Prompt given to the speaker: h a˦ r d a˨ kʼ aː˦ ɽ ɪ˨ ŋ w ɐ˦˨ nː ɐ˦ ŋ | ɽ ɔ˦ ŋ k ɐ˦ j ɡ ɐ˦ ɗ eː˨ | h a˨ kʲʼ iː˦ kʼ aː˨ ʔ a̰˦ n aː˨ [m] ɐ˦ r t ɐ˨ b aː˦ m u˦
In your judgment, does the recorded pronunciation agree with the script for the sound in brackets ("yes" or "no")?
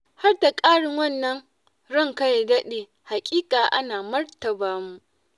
yes